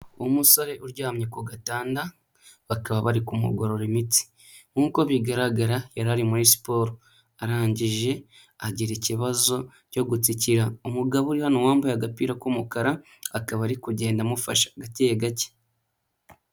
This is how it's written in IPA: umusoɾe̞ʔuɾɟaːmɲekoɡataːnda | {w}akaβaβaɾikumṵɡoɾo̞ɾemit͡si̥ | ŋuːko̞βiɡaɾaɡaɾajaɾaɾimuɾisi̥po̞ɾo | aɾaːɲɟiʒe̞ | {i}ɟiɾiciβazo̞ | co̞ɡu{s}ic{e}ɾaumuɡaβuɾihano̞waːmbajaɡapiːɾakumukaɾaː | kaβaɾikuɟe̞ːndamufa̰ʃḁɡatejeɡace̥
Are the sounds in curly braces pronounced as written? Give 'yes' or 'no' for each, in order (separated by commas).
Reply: no, no, no, no